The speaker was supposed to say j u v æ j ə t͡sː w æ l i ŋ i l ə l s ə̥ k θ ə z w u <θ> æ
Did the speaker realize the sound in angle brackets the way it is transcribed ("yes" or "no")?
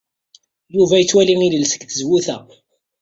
yes